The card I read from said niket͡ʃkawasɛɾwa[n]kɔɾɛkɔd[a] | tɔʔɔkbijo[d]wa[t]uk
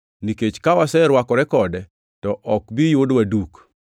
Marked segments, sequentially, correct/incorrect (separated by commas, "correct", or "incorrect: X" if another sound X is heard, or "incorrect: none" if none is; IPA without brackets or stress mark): incorrect: none, incorrect: ɛ, correct, incorrect: d